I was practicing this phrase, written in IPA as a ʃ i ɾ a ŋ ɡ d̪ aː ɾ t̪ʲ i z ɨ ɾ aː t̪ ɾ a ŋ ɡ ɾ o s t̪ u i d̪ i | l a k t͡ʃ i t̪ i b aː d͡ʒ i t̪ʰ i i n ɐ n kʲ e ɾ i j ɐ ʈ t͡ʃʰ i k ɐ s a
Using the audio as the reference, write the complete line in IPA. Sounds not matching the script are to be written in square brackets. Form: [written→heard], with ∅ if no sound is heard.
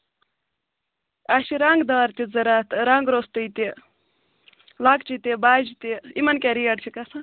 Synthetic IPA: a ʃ i ɾ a ŋ ɡ d̪ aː ɾ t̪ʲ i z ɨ ɾ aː t̪ ɾ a ŋ ɡ ɾ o s t̪ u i [d̪→t̪] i | l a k t͡ʃ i t̪ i b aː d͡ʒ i [t̪ʰ→t̪] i i [n→m] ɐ n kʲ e ɾ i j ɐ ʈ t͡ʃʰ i k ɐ s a